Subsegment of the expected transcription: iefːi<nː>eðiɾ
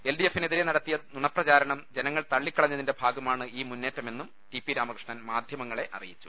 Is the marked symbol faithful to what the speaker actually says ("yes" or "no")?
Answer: no